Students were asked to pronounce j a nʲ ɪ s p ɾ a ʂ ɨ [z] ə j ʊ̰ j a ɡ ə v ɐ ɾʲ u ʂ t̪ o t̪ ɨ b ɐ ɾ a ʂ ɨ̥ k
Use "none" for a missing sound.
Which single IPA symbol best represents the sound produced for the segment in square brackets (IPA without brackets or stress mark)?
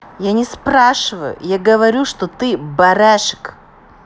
v